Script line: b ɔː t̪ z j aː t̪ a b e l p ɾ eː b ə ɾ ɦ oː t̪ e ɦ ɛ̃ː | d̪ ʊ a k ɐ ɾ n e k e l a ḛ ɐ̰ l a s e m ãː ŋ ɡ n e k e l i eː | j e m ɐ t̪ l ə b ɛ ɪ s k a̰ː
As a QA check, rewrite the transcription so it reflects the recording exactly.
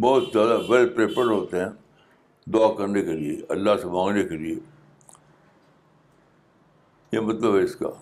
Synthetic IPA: b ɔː t̪ z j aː d̪ a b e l p ɾ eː p ə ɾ ɦ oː t̪ e ɦ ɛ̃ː | d̪ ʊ a k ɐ ɾ n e k e l i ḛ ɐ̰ lː a s e m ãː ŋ ɡ n e k e l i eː | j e m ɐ t̪ l ə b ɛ ɪ s k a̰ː